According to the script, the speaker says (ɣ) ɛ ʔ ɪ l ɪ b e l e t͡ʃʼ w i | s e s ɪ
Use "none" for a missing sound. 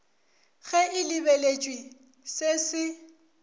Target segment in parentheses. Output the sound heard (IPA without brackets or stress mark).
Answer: ɣ